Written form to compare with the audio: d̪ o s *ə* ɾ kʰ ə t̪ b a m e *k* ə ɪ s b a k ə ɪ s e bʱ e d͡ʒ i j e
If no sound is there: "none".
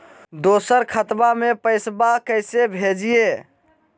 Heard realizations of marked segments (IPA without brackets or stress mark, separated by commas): ə, p